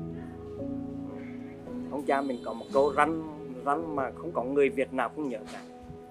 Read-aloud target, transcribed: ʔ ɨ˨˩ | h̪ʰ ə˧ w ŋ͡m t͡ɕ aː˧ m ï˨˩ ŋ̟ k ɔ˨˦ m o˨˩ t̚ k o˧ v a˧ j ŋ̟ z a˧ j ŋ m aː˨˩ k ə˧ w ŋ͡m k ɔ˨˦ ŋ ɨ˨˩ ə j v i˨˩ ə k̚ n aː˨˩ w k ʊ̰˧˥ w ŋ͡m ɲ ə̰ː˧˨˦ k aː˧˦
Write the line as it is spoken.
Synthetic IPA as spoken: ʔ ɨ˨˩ | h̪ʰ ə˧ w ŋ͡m t͡ɕ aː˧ m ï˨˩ ŋ̟ k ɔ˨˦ m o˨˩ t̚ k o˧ z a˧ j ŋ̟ z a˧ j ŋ m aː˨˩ x ə˧ w ŋ͡m k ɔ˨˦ ŋ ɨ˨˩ ə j v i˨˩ ə t̚ n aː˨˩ w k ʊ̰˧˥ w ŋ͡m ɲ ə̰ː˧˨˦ k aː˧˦